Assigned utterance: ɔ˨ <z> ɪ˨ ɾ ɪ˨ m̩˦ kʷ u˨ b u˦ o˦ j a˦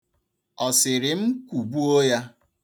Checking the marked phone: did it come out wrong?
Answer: yes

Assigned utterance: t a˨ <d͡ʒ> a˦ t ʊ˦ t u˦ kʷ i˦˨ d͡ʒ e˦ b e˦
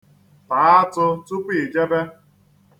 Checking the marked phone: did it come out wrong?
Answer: yes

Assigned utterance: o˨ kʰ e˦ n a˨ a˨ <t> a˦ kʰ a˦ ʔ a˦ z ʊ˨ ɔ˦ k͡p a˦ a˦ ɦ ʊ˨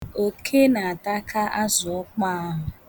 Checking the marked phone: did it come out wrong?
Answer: no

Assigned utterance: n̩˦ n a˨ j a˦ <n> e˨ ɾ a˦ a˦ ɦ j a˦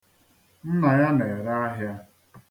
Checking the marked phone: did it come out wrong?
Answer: no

